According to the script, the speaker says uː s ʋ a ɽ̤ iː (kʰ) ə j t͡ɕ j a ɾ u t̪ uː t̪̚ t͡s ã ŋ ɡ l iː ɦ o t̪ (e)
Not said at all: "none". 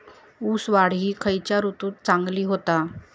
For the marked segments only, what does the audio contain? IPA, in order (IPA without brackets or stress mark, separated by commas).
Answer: kʰ, a